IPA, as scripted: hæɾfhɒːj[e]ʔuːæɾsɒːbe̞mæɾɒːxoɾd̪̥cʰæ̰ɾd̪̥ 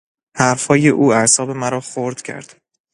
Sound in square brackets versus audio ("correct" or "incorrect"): correct